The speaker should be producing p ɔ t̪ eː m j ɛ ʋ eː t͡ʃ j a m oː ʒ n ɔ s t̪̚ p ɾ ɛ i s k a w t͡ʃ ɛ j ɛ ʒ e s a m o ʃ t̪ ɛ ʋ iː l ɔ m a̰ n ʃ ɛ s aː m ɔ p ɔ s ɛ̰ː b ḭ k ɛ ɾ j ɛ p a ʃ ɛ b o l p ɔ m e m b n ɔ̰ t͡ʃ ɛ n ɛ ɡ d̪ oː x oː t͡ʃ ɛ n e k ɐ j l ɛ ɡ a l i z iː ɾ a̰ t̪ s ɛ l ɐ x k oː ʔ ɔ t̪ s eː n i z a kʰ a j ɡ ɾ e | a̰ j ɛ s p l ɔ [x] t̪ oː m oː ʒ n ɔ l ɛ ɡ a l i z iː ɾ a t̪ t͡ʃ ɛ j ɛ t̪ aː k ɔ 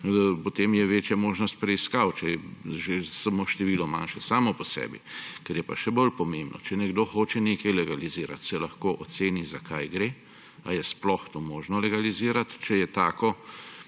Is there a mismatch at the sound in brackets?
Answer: no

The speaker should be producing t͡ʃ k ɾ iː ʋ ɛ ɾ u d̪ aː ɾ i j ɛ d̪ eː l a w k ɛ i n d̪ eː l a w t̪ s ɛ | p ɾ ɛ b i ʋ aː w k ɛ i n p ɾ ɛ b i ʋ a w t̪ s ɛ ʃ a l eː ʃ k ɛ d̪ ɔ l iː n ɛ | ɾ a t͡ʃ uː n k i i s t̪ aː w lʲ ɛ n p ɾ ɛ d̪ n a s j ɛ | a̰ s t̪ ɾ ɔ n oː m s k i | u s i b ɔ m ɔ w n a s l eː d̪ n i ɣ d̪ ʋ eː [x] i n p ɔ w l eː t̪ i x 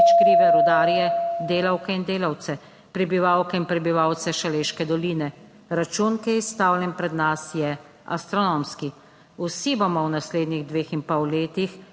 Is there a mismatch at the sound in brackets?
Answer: no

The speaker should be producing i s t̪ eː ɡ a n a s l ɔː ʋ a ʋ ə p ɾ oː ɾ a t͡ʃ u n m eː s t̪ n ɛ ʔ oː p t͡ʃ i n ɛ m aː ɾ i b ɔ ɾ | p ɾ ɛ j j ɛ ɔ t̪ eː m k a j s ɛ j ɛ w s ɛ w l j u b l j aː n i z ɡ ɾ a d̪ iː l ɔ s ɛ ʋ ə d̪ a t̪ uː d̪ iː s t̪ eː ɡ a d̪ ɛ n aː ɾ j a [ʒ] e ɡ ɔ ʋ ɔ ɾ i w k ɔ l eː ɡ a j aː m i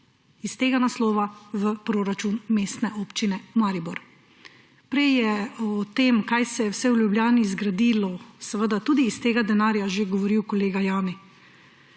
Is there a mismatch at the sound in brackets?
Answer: no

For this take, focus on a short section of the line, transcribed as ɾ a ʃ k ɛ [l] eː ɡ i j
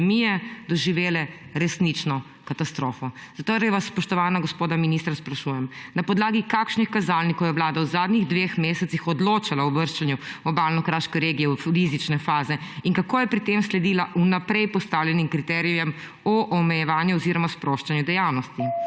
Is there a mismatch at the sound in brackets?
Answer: yes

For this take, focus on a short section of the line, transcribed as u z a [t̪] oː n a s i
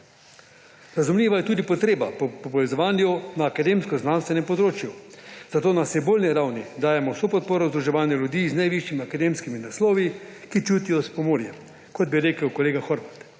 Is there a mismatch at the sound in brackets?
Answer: no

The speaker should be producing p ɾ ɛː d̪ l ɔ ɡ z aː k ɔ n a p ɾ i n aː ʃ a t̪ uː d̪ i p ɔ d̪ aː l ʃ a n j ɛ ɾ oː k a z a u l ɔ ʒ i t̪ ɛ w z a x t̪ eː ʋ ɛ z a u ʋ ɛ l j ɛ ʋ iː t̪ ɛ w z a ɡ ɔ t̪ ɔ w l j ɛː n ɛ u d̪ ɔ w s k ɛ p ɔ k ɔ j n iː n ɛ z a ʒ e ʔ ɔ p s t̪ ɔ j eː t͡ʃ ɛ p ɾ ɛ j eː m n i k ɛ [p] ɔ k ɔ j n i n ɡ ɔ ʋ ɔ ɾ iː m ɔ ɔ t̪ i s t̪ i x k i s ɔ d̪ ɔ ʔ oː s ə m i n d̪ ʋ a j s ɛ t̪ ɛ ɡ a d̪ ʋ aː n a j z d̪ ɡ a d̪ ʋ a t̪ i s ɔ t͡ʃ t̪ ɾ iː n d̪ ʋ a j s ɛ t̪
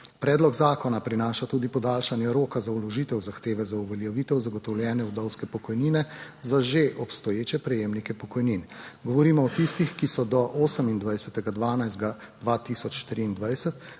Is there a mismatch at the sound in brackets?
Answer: no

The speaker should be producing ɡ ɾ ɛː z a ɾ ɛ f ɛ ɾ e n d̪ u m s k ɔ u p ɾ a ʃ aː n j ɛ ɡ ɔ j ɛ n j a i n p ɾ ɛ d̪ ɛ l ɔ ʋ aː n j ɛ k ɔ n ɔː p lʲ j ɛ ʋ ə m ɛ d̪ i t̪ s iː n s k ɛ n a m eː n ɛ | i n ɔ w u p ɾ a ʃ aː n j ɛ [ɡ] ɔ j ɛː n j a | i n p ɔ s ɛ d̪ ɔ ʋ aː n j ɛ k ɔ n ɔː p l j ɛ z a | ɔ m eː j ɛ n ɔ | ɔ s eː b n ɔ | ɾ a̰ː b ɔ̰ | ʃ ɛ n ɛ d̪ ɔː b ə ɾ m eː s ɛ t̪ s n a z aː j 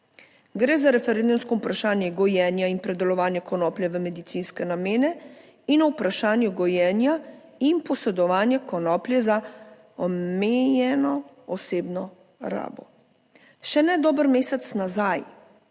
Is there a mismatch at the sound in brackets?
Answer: no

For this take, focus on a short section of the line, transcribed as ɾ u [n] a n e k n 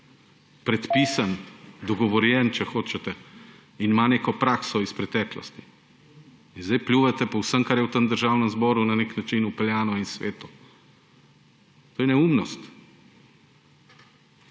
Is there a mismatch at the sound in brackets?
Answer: no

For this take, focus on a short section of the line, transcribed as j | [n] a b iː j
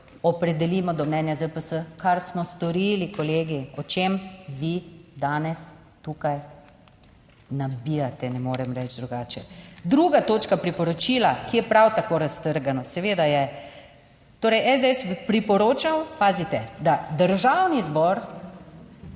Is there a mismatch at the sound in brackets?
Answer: no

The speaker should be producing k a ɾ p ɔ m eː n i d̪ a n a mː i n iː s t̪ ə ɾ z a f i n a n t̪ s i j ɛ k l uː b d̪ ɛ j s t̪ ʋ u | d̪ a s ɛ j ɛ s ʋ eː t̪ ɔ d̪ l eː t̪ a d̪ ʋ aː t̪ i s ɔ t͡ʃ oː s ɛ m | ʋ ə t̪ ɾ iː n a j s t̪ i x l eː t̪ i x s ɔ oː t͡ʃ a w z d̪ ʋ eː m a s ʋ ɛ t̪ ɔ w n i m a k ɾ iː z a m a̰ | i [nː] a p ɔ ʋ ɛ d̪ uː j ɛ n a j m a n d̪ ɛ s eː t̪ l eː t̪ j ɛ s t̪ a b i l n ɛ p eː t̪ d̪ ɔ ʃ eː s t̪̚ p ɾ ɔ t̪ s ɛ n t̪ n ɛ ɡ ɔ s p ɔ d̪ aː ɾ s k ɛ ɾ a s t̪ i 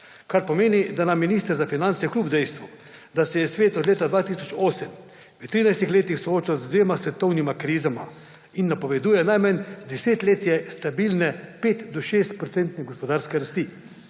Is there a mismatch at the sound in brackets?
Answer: no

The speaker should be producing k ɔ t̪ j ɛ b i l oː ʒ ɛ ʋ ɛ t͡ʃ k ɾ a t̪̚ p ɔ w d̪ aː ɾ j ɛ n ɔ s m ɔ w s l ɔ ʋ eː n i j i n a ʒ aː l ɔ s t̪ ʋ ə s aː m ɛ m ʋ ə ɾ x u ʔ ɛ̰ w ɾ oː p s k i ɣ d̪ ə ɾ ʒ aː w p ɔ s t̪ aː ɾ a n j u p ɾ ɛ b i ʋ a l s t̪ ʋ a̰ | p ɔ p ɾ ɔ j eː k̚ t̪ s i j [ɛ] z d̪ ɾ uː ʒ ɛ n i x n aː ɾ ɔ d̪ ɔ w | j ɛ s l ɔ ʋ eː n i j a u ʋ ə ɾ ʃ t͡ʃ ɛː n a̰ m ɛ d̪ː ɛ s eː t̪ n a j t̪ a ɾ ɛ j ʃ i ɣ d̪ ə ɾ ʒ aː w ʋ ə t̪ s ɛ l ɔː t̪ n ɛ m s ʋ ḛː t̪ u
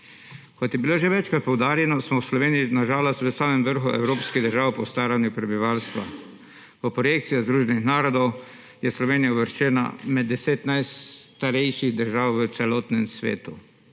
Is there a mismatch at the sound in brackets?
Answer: yes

